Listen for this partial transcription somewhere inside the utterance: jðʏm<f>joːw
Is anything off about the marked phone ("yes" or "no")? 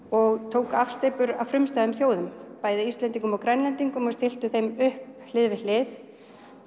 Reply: yes